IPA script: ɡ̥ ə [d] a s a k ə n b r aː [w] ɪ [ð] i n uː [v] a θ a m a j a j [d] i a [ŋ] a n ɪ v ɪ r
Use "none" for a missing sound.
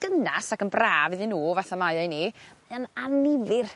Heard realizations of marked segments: n, v, ð, v, n, n

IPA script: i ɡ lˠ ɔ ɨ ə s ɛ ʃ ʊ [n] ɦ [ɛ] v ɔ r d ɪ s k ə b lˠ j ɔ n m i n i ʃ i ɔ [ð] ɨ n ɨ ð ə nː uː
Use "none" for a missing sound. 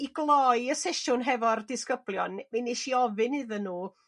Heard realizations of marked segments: n, ɛ, v

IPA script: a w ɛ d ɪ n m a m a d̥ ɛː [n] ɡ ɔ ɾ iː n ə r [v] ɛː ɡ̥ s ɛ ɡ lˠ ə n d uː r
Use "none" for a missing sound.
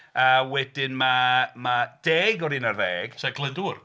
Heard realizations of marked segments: none, ð

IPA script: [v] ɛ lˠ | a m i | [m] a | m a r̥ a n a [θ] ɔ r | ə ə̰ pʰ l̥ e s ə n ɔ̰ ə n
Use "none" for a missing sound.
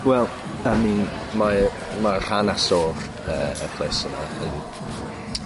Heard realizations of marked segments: w, m, s

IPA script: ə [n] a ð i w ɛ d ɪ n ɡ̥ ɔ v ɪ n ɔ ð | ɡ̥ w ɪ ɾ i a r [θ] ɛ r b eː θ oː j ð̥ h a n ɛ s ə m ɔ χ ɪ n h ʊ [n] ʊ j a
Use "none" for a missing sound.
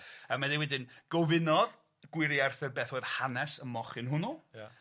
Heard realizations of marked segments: m, θ, n

